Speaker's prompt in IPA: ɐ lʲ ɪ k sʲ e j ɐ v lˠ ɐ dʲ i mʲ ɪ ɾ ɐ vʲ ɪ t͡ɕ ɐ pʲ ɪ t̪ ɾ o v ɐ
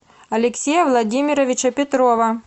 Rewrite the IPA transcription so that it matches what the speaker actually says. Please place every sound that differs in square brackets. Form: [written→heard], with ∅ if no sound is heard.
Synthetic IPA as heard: ɐ lʲ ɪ k sʲ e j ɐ v lˠ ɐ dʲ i mʲ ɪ ɾ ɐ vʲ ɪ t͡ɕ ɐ pʲ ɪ t̪ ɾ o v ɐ